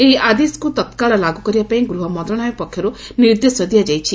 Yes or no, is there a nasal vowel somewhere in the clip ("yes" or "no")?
yes